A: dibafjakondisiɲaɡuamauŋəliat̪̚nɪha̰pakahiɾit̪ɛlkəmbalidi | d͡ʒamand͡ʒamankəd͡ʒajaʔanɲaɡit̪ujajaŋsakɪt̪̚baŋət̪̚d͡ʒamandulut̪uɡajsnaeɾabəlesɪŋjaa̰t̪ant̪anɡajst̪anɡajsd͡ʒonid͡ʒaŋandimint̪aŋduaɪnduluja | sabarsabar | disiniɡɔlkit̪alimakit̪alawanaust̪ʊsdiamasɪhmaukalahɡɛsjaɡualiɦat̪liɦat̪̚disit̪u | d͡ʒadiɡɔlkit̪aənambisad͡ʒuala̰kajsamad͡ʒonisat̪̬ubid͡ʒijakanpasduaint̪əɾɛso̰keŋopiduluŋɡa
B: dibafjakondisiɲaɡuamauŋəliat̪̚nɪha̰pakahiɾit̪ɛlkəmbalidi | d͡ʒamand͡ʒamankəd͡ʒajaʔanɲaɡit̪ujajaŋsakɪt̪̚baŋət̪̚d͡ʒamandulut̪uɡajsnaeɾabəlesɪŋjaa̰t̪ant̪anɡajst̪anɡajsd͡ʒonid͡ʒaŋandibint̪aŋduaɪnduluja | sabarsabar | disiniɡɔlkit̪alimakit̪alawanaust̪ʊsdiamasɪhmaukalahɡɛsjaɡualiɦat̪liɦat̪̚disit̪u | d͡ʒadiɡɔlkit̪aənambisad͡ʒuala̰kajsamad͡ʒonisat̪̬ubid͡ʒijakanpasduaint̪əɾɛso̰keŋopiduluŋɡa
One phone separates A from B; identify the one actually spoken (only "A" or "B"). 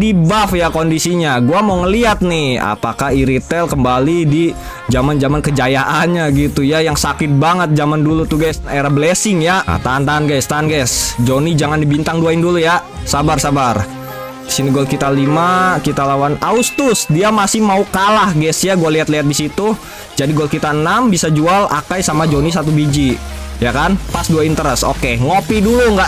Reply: B